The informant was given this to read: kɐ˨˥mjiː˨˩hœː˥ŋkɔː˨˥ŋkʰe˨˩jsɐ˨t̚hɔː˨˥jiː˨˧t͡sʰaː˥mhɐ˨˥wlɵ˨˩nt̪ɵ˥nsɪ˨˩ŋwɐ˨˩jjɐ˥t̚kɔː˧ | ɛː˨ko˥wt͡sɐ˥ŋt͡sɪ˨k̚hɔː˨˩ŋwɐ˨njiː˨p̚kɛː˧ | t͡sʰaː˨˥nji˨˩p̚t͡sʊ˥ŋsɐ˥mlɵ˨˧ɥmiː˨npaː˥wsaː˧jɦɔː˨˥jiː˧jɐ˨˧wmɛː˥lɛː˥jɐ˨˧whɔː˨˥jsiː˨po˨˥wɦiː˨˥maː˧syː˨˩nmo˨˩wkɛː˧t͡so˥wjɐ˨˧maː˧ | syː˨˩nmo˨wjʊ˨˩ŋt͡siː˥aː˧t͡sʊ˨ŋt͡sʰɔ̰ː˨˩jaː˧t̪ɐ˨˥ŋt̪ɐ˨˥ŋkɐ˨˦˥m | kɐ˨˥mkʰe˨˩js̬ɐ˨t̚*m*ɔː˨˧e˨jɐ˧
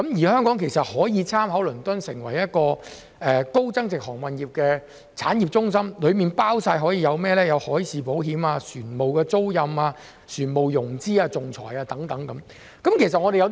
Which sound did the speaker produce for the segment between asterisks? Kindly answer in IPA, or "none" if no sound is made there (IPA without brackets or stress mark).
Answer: ŋ